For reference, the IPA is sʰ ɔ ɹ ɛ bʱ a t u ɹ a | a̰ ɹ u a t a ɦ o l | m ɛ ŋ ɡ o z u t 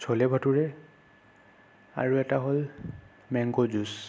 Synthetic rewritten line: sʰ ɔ l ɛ bʱ a t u ɹ ɛ | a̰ ɹ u ɛ t a ɦ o l | m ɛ ŋ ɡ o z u s